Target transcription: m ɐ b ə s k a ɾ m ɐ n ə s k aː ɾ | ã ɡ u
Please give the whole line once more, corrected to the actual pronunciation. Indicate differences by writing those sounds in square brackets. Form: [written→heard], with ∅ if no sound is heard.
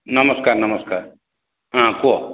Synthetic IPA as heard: [m→n] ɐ [b→m] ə s k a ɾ [m→n] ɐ [n→m] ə s k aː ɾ | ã [ɡ→k] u

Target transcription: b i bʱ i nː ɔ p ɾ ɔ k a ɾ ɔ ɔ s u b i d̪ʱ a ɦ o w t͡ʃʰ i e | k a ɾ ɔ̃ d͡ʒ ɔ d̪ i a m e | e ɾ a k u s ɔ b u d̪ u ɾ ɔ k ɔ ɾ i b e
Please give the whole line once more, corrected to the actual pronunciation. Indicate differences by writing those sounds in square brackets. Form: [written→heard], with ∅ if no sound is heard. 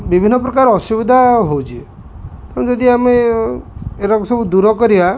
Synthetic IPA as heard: b i bʱ i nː ɔ p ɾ ɔ k a ɾ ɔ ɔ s u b i d̪ʱ a ɦ o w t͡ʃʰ i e | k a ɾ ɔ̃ d͡ʒ ɔ d̪ i a m e | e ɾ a k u s ɔ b u d̪ u ɾ ɔ k ɔ ɾ i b [e→a]

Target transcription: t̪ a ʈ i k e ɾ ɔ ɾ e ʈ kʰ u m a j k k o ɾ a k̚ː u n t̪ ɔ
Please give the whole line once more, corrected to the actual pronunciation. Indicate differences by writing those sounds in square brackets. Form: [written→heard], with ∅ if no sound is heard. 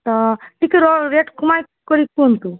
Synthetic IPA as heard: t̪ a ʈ i k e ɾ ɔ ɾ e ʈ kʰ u m a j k k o ɾ [a→i] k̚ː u n t̪ [ɔ→u]

